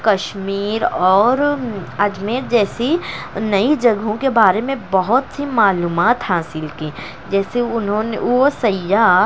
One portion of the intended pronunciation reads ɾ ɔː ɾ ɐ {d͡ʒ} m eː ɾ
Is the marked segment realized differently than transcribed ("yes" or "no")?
no